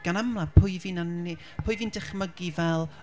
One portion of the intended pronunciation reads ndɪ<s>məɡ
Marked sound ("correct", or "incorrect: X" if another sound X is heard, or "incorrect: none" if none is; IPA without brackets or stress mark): incorrect: χ